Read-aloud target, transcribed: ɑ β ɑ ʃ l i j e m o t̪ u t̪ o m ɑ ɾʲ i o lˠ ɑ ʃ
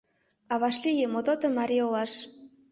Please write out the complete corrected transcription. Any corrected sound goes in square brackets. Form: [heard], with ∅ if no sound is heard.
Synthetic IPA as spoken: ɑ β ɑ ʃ l i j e m o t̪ [o] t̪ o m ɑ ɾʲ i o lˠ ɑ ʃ

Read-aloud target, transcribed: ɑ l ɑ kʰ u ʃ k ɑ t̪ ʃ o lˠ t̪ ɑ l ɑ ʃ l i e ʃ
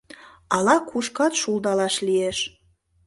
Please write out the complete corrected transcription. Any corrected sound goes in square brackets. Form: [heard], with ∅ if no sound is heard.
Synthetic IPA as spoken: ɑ l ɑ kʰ u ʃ k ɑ t̪ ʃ [u] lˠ [d̪] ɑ l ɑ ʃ l i e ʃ

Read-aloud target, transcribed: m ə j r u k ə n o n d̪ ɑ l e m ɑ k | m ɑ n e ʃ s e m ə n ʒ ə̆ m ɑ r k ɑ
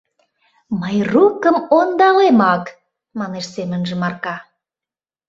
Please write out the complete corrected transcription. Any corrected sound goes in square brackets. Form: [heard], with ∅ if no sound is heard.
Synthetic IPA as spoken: m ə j r u k ə [m] o n d̪ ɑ l e m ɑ k | m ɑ n e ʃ s e m ə n ʒ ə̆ m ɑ r k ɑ

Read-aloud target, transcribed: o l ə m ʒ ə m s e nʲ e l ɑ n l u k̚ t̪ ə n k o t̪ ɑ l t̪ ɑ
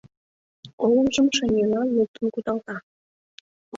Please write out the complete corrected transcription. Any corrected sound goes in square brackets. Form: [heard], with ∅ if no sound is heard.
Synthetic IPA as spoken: o l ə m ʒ ə m [ʃ] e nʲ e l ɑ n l u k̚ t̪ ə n k [u] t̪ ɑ l t̪ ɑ

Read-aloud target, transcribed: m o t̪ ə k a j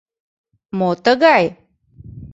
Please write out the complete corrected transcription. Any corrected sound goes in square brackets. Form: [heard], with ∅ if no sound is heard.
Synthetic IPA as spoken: m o t̪ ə [ɡ] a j

